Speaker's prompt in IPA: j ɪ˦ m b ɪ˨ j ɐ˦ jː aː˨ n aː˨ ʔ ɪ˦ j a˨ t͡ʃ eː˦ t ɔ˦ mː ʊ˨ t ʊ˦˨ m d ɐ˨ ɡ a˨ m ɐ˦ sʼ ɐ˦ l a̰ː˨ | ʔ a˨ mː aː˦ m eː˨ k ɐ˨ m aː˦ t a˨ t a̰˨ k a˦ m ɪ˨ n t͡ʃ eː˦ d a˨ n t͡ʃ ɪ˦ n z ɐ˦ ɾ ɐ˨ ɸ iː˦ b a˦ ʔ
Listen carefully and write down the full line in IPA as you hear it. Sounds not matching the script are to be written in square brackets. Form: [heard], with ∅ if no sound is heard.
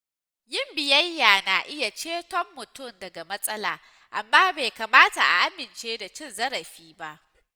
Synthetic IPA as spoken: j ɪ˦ m b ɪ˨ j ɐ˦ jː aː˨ n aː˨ ʔ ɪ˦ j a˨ t͡ʃ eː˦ t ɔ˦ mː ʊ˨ t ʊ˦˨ m d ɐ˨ ɡ a˨ m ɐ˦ sʼ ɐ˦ l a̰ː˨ | ʔ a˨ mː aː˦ [b] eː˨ k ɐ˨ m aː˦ t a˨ [ʔ] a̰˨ [ʔ] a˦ m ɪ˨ n t͡ʃ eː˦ d a˨ [∅] t͡ʃ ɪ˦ n z ɐ˦ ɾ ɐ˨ ɸ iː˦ b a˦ ʔ

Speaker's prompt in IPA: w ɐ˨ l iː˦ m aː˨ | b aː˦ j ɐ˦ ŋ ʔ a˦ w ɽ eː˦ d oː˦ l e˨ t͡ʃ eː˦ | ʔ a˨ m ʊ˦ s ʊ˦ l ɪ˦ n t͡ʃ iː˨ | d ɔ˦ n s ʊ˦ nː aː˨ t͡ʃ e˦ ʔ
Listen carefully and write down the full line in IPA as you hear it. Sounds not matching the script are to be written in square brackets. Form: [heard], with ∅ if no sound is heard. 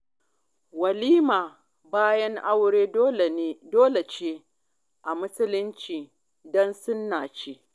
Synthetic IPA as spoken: w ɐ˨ l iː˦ m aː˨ | b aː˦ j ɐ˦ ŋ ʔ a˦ w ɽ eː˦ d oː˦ l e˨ t͡ʃ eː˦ | ʔ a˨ m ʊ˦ s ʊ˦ l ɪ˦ n t͡ʃ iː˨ | d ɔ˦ n s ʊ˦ nː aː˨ t͡ʃ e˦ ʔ

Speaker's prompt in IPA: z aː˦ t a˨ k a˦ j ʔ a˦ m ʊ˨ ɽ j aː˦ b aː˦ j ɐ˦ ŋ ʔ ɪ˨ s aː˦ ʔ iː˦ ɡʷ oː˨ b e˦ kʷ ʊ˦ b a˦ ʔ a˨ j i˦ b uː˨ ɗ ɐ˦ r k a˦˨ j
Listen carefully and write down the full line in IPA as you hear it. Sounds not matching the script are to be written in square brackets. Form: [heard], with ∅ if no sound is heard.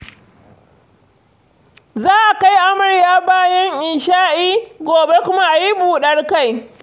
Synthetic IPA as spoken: z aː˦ [ʔ] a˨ k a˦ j ʔ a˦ m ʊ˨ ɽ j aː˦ b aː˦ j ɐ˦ ŋ ʔ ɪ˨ [ʃ] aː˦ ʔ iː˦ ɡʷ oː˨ b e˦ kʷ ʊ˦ [m] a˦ ʔ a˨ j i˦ b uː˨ ɗ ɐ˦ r k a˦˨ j

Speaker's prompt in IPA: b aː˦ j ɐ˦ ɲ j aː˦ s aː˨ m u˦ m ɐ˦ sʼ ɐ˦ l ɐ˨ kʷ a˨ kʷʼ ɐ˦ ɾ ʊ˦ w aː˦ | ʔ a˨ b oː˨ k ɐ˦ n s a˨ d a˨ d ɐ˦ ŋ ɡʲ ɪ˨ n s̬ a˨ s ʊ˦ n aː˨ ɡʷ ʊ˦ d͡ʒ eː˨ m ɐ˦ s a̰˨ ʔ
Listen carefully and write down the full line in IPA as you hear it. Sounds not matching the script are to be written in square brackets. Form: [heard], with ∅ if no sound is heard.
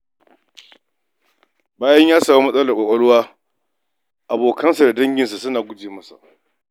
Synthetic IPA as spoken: b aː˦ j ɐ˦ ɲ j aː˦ s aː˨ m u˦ m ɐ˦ sʼ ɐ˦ l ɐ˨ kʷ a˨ kʷʼ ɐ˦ [ɽ] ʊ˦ w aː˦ | ʔ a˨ b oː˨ k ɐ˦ n s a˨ d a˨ d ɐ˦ ŋ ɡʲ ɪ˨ n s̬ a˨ s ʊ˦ n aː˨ ɡʷ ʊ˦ d͡ʒ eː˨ m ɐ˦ s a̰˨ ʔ

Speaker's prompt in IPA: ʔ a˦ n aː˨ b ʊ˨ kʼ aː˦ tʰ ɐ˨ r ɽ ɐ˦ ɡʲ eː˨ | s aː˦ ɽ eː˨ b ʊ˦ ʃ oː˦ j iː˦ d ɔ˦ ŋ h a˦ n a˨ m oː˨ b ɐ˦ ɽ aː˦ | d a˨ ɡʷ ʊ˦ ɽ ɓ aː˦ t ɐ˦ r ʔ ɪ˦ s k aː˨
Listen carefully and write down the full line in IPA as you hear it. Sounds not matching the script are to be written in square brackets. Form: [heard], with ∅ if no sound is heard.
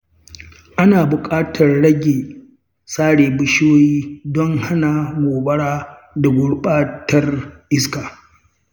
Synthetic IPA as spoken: ʔ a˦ n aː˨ b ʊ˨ kʼ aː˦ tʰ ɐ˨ r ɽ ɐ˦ ɡʲ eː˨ | s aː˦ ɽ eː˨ b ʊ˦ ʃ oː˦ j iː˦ d ɔ˦ ŋ h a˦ n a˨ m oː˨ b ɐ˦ ɽ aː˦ | d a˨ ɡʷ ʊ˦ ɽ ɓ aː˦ t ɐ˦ r ʔ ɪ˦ s k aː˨

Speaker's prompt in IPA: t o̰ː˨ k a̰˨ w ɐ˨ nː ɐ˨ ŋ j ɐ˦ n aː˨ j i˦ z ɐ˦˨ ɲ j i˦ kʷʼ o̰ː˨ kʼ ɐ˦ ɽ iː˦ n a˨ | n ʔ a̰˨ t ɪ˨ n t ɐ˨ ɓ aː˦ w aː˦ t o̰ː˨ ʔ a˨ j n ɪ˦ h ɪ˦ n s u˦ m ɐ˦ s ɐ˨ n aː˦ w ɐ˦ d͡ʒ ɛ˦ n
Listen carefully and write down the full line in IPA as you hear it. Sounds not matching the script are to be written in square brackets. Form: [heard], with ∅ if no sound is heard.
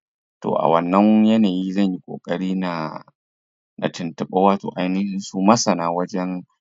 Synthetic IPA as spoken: t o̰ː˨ [ʔ] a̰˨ w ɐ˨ nː [ɐ˦] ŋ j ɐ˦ n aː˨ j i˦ z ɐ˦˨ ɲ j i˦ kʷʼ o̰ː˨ kʼ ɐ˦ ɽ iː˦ n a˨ | n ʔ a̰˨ t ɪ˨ n t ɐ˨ ɓ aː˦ w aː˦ t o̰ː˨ ʔ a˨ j n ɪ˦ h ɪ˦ n s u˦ m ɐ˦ s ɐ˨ n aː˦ w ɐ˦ d͡ʒ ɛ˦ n

